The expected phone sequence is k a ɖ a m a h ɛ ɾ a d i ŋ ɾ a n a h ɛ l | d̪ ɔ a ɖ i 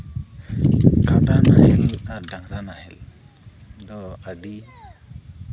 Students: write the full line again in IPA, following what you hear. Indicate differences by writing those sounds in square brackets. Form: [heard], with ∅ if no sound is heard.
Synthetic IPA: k a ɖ a [n] a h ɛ [l] a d [a] ŋ ɾ a n a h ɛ l | d̪ ɔ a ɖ i